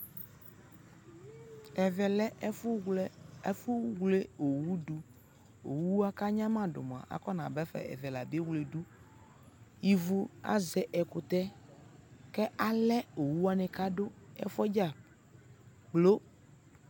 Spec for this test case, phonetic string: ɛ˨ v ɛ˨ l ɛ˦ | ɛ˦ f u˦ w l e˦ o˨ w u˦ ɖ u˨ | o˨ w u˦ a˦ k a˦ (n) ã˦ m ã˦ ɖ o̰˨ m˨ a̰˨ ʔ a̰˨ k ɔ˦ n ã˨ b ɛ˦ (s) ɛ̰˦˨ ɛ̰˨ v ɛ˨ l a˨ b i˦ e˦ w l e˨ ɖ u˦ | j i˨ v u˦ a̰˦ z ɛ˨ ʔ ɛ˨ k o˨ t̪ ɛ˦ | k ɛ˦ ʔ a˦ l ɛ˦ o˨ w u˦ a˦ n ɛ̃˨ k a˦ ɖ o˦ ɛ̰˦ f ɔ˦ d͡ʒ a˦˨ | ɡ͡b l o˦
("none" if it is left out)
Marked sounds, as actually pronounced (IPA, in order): ɲ, f

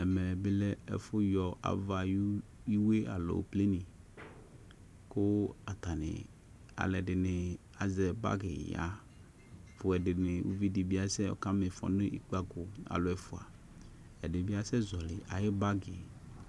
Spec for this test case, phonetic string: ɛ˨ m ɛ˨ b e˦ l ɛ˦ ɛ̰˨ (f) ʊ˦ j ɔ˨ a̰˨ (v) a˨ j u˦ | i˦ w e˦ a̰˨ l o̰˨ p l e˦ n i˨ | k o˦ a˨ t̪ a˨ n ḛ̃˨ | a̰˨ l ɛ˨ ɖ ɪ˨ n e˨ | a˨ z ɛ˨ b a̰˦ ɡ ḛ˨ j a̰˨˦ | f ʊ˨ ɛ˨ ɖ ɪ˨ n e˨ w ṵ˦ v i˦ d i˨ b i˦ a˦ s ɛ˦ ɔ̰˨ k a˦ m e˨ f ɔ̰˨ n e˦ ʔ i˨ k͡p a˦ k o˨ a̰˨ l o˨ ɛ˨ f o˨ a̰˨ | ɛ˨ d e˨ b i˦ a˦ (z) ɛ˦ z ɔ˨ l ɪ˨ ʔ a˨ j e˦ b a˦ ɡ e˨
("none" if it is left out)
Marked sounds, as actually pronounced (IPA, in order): f, v, s

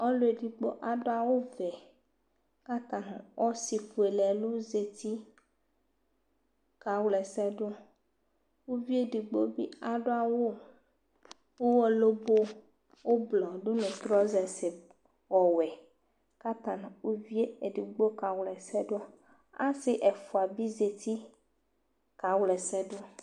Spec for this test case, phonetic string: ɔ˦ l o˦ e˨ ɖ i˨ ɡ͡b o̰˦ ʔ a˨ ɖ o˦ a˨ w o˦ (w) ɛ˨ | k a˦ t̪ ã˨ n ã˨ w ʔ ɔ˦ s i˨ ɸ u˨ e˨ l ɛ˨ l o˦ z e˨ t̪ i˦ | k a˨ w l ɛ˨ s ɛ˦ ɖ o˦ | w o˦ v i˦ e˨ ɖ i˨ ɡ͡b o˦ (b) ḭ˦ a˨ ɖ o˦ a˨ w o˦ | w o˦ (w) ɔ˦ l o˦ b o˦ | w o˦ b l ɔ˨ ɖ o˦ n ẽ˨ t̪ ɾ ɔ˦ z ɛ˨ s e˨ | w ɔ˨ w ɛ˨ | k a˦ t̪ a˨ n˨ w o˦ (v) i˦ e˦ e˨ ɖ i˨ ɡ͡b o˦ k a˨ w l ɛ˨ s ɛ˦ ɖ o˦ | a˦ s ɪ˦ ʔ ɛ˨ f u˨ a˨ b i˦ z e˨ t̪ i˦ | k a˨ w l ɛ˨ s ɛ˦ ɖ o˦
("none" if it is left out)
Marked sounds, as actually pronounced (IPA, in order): v, b, w, v

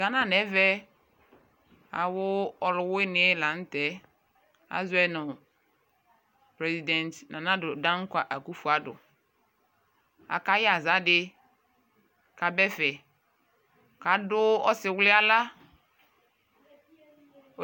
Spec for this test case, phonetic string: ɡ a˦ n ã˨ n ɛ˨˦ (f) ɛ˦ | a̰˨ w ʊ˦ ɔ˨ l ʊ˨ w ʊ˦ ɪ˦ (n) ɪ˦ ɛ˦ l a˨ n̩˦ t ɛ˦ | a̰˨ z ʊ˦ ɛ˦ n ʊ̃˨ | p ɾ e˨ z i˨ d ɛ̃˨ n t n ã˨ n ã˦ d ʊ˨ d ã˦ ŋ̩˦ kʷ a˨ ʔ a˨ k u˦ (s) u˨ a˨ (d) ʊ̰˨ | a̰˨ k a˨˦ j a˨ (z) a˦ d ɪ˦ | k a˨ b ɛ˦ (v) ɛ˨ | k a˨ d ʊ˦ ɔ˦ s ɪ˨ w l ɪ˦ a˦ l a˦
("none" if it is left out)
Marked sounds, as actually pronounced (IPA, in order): v, n, f, d, z, f

